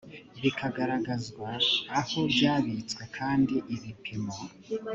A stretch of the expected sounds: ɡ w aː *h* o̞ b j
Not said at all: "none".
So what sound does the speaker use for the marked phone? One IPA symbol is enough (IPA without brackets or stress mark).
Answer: h